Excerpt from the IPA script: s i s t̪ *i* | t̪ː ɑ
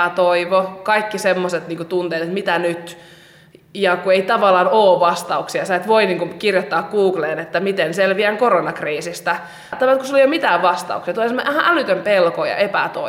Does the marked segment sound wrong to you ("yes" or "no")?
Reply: yes